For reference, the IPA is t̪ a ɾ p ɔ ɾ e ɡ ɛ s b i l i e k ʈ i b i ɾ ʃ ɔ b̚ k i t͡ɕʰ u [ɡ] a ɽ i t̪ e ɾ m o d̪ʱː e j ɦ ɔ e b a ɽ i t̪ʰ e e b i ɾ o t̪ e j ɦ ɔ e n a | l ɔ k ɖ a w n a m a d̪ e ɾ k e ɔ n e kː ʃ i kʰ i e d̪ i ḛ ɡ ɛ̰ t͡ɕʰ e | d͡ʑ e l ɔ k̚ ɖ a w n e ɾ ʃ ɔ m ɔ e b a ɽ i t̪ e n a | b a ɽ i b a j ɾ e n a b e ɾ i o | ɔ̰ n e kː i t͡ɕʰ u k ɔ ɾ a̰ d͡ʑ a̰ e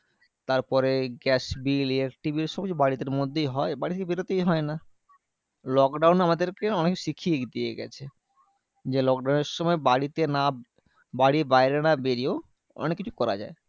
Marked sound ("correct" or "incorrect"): incorrect